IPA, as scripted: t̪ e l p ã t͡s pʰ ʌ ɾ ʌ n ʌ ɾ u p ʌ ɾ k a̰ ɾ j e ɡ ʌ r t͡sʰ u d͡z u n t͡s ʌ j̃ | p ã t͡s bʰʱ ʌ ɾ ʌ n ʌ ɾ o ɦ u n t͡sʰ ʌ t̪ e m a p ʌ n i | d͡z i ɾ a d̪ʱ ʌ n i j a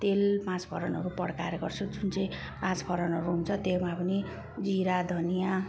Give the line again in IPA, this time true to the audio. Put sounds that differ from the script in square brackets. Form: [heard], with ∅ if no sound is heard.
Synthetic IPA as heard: t̪ e l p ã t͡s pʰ ʌ ɾ ʌ n ʌ ɾ u p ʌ [ɽ] k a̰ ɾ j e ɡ ʌ r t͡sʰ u d͡z u n t͡s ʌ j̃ | p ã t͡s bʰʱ ʌ ɾ ʌ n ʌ ɾ [u] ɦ u n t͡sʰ ʌ t̪ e m a p ʌ n i | d͡z i ɾ a d̪ʱ ʌ n i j a